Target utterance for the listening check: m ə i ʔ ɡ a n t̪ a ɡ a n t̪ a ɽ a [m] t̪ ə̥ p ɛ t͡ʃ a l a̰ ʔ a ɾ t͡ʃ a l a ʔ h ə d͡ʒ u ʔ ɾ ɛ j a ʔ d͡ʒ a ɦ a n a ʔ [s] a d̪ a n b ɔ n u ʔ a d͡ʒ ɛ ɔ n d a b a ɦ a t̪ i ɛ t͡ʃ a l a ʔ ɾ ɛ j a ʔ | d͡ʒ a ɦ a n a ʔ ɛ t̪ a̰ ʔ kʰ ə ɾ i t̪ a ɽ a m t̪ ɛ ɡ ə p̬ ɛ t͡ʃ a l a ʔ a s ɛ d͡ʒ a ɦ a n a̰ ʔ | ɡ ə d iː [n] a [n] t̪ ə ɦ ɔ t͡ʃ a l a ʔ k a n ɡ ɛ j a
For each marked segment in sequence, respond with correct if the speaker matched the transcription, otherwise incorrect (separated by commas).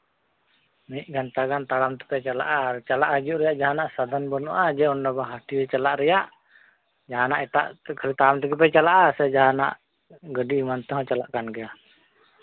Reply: correct, correct, incorrect, correct